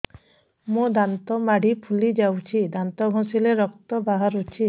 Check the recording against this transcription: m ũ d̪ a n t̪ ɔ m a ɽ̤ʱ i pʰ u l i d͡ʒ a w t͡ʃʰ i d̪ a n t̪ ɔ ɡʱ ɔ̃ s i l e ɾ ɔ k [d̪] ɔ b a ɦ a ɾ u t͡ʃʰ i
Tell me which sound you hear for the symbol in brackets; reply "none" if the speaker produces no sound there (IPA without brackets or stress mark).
t̪